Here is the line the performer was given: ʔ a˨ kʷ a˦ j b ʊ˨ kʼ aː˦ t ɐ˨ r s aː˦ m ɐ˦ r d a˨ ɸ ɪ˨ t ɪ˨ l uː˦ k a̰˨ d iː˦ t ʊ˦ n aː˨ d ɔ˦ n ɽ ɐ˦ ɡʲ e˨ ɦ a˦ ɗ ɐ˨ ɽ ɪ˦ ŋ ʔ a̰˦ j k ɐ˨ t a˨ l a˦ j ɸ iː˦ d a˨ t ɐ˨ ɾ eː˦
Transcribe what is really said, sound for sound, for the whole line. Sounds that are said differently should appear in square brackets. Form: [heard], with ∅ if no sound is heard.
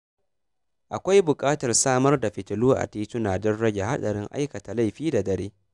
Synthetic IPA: ʔ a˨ kʷ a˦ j b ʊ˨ kʼ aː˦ t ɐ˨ r s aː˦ m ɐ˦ r d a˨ ɸ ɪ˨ t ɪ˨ l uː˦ [ʔ] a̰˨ [t] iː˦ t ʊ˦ n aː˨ d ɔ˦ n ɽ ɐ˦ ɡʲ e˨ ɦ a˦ ɗ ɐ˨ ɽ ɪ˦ ŋ ʔ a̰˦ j k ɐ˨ t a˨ l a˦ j ɸ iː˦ d a˨ [d] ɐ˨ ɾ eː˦